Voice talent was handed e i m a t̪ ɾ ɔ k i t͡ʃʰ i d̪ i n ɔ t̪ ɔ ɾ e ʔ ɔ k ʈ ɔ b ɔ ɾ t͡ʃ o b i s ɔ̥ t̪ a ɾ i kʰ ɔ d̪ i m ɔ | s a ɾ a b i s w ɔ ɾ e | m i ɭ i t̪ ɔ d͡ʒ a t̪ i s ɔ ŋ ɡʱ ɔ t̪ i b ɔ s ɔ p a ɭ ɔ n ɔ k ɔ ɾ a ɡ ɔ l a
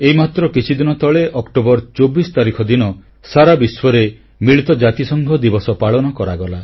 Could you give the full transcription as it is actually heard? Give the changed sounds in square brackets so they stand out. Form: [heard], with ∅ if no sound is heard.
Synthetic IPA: e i m a t̪ ɾ ɔ k i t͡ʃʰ i d̪ i n ɔ t̪ ɔ [ɭ] e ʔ ɔ k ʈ [o] b ɔ ɾ t͡ʃ o b i s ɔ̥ t̪ a ɾ i kʰ ɔ d̪ i [n] ɔ | s a ɾ a b i s w ɔ ɾ e | m i ɭ i t̪ ɔ d͡ʒ a t̪ i s ɔ ŋ ɡʱ ɔ [d̪] i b ɔ s ɔ p a ɭ ɔ n ɔ k ɔ ɾ a ɡ ɔ l a